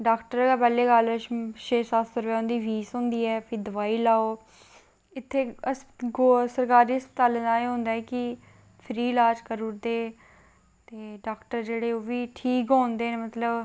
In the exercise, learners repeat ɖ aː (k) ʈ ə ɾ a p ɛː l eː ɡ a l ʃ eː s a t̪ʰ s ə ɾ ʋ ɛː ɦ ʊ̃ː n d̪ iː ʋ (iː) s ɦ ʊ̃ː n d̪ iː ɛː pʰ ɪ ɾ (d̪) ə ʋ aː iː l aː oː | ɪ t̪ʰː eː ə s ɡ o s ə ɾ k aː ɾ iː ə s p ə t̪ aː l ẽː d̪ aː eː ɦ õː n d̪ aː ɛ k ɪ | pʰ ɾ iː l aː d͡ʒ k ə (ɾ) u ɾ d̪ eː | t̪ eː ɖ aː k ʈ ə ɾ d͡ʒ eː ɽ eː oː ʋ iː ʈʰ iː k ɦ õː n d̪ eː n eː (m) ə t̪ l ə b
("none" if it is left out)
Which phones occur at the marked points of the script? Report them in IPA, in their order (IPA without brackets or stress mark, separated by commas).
k, iː, d̪, ɾ, m